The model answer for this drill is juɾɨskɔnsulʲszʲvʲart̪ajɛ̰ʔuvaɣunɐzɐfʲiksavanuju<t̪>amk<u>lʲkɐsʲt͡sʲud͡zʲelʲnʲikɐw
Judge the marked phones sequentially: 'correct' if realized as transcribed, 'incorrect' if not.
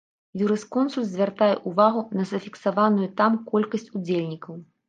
correct, incorrect: ɔ

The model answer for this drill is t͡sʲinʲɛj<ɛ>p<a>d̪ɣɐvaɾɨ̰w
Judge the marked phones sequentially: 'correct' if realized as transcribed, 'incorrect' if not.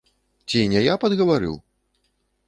incorrect: a, incorrect: ɐ

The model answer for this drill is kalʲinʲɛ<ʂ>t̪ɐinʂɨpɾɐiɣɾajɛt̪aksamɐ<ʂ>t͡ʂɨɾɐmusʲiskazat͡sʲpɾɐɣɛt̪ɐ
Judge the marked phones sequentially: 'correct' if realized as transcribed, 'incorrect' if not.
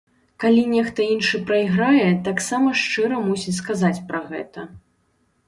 incorrect: x, correct

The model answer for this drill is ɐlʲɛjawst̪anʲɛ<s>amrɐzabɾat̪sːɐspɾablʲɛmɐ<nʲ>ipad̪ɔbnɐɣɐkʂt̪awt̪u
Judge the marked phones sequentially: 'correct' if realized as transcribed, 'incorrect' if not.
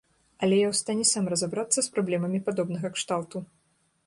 correct, incorrect: mʲ

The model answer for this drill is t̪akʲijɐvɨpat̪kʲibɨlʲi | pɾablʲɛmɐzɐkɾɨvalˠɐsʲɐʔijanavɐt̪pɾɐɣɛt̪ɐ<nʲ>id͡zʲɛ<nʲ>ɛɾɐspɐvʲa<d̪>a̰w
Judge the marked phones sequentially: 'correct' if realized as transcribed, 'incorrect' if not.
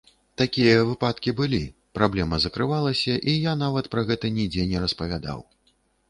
correct, correct, correct

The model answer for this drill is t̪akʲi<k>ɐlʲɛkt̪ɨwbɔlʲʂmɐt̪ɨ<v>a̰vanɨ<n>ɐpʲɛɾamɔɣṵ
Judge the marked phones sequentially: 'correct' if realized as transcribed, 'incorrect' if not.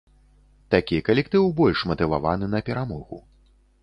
correct, correct, correct

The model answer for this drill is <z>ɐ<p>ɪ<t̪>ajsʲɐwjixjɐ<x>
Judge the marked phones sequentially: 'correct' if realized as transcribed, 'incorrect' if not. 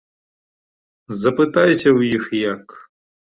correct, correct, correct, incorrect: k

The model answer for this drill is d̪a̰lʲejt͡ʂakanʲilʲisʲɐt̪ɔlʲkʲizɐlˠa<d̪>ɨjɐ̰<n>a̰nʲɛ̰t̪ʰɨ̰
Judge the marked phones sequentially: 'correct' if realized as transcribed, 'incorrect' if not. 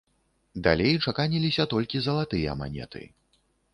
incorrect: t̪, incorrect: m

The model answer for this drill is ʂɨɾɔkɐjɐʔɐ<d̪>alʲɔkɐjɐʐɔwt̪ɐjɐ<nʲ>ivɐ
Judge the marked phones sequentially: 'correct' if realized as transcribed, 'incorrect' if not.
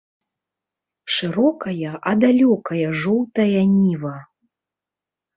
correct, correct

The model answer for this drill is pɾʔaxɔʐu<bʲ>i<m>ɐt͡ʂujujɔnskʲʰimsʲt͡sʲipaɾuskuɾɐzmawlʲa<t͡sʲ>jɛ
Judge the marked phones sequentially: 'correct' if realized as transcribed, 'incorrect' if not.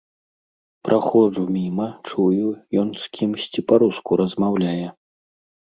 incorrect: mʲ, correct, incorrect: none

